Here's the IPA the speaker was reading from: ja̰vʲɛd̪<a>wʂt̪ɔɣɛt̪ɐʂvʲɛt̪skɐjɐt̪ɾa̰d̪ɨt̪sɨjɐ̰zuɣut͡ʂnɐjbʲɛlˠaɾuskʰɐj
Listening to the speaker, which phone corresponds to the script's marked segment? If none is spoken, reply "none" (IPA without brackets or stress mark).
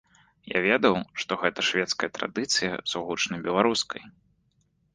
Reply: ɐ